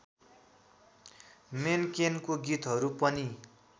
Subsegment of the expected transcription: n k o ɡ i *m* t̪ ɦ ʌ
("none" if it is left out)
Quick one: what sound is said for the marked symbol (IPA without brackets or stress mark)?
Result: none